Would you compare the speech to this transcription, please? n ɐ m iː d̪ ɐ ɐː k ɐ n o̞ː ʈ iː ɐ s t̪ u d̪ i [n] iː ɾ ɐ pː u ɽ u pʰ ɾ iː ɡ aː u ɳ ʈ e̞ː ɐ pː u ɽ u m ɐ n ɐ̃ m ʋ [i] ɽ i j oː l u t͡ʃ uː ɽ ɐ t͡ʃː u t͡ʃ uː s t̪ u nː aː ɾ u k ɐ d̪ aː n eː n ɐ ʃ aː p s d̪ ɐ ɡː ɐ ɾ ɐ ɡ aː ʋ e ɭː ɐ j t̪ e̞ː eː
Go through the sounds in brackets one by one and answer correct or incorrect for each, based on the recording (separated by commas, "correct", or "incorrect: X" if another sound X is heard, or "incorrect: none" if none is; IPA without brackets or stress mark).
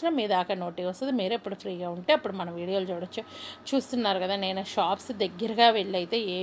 incorrect: m, incorrect: iː